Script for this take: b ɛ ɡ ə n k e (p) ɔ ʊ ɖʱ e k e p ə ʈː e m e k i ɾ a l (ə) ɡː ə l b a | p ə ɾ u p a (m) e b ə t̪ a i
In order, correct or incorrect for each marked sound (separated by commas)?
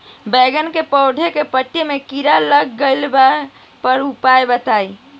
correct, correct, incorrect